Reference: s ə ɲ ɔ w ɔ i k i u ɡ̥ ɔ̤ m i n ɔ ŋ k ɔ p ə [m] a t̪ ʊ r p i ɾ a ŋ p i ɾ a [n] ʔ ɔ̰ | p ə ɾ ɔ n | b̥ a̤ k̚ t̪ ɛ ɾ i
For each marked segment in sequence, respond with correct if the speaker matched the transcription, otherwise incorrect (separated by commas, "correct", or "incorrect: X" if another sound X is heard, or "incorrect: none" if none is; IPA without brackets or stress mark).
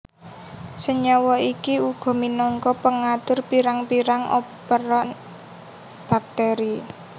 incorrect: ŋ, incorrect: ŋ